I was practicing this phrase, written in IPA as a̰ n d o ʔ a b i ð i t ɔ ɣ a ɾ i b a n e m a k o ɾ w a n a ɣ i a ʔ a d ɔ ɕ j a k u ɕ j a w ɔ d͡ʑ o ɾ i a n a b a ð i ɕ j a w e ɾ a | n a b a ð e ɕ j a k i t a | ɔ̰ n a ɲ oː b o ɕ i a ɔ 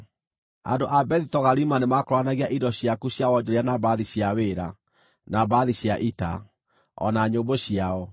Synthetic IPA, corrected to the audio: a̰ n d o ʔ a b ɛ ð i t ɔ ɣ a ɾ i m a n e m a k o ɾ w a n a ɣ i a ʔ i d ɔ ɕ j a k u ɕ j a w ɔ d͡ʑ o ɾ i a n a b a ð i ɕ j a w e ɾ a | n a b a ð i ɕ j a ʔ i t a | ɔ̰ n a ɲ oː b o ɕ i a ɔ

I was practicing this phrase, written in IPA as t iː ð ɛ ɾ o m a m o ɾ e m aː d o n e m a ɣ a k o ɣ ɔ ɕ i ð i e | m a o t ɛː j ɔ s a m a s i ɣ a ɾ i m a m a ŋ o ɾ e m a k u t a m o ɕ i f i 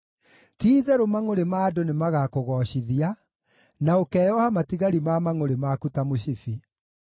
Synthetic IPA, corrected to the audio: t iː ð ɛ ɾ o m a ŋ o ɾ e m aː d o n e m a ɣ a k o ɣ ɔ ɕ i ð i a | n a o k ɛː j ɔ h a m a t i ɣ a ɾ i m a m a ŋ o ɾ e m a k u t a m o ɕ i f i

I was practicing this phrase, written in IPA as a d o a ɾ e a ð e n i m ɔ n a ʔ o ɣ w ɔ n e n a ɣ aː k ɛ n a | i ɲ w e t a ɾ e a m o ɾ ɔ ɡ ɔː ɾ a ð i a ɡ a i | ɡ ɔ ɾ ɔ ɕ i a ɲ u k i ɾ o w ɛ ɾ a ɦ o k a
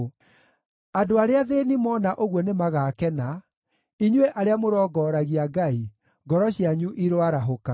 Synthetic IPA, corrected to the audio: a d o a ɾ e a ð e n i m ɔ n a ʔ o ɣ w ɔ n e m a ɣ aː k ɛ n a | i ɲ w e ʔ a ɾ e a m o ɾ ɔ ɡ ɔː ɾ a ɣ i a ɡ a i | ɡ ɔ ɾ ɔ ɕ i a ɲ u ʔ i ɾ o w a ɾ a ɦ o k a

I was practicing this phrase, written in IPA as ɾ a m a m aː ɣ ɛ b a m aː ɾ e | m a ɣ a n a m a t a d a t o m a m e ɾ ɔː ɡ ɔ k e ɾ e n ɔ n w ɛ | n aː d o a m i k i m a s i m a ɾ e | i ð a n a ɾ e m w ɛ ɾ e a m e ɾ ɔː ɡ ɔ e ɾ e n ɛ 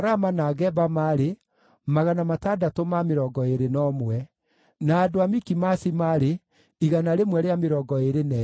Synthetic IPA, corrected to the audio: ɾ a m a n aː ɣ ɛ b a m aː ɾ e | m a ɣ a n a m a t a d a t o m a m e ɾ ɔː ɡ ɔ e ɾ e n ɔ m w ɛ | n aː d o a m i k i m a s i m a ɾ e | i ɣ a n a ɾ e m w ɛ ɾ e a m e ɾ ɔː ɡ ɔ e ɾ e n ɛ

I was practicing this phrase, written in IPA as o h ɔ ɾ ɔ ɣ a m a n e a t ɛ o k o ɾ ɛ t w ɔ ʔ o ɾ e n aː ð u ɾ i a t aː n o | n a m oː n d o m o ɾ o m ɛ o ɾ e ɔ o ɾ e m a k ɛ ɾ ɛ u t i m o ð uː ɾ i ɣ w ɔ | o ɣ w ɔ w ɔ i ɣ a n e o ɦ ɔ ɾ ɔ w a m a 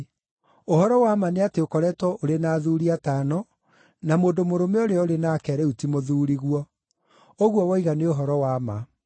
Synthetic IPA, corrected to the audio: o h ɔ ɾ ɔ w a m a n e a t e o k ɔ ɾ ɛ t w ɔ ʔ o ɾ e n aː ð u ɾ i a t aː n ɔ | n a m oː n d o m o ɾ o m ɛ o ɾ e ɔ o ɾ e n a k ɛ ɾ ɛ u t i m o ð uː ɾ i ɣ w ɔ | o ɣ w ɔ w ɔ i ɣ a n e o ɦ ɔ ɾ ɔ w a m a

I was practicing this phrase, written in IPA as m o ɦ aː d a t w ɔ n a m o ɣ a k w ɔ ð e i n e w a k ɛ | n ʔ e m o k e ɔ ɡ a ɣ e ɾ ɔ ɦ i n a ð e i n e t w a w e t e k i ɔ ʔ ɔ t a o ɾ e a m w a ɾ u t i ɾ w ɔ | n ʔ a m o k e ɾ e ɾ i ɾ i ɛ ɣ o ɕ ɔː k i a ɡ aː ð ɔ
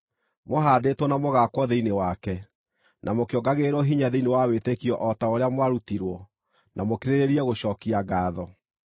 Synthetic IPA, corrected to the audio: m o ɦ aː d e t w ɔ n a m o ɣ a k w ɔ ð e i n e w a k ɛ | n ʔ a m o k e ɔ ɡ a ɣ e ɾ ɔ ɦ i ɲ a ð e i n e w a w e t e k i ɔ ʔ ɔ t a o ɾ e a m w a ɾ u t i ɾ w ɔ | n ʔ a m o k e ɾ e ɾ e ɾ i ɛ ɣ o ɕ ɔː k i a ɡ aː ð ɔ

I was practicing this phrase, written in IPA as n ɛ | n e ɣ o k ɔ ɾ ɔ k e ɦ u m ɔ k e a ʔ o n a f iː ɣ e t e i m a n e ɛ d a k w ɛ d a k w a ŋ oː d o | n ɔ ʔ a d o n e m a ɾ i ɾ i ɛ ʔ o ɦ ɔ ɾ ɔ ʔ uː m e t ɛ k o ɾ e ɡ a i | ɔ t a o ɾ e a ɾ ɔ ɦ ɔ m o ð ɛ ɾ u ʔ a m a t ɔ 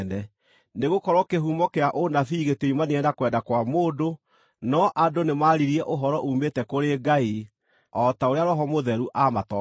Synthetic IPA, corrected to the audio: n ɛ | n e ɣ o k ɔ ɾ ɔ k e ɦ u m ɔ k e a ʔ o n a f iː ɣ e t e i m a n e ɛ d a k w ɛ d a k w a m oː d o | n ɔ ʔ a d o n e m a ɾ i ɾ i ɛ ʔ o ɦ ɔ ɾ ɔ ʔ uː m e t ɛ k o ɾ e ɡ a i | ɔ t a o ɾ e a ɾ ɔ ɦ ɔ m o ð ɛ ɾ u ʔ a m a t ɔ

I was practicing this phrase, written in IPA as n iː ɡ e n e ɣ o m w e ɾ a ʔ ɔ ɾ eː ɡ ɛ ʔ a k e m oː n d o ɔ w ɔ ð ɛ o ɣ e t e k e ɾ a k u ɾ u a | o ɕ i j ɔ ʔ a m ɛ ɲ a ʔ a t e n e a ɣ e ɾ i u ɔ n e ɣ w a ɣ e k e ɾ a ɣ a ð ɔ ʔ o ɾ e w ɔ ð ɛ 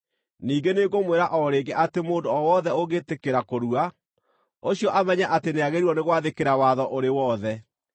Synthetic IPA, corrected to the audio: n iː ɡ e n e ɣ o m w e ɾ a ʔ ɔ ɾ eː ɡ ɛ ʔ a t e m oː n d o ɔ w ɔ ð ɛ o ɣ e t e k e ɾ a k o ɾ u a | o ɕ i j ɔ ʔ a m ɛ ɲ a ʔ a t e n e a ɣ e ɾ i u ɔ n e ɣ w a ð e k e ɾ a w a ð ɔ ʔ o ɾ e w ɔ ð ɛ

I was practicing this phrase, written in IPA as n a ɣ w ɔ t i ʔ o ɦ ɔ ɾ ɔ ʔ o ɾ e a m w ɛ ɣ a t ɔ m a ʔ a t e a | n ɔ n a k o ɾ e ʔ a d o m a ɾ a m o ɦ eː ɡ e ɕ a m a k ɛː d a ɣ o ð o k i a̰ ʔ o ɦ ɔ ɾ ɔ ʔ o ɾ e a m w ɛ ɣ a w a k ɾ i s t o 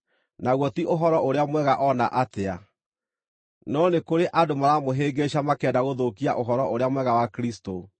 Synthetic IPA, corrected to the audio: n a ɣ w ɔ t i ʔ o ɦ ɔ ɾ ɔ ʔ o ɾ e a m w ɛ ɣ a ʔ ɔ n a ʔ a t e a | n ɔ n e k o ɾ e ʔ a d o m a ɾ a m o ɦ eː ɡ e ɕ a m a k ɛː d a ɣ o ð o k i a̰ ʔ o ɦ ɔ ɾ ɔ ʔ o ɾ e a m w ɛ ɣ a w a k ɾ i s t o

